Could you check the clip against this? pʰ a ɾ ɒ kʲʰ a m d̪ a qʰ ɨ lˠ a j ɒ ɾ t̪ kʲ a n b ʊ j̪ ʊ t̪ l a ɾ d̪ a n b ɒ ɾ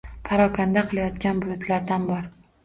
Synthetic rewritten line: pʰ a ɾ ɒ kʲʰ a n d̪ a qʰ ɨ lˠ a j ɒ t̪ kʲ a n b ʊ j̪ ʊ t̪ l a ɾ d̪ a n b ɒ ɾ